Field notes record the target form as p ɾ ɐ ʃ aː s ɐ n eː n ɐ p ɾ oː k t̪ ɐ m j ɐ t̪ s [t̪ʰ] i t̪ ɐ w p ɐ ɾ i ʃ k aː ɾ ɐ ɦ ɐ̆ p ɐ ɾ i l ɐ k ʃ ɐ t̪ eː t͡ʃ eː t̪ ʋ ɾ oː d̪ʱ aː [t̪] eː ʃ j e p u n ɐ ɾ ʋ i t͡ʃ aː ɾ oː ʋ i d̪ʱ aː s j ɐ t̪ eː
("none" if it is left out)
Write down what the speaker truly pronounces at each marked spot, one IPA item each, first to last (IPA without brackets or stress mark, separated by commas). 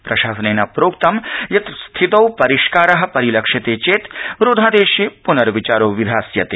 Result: t̪ʰ, d̪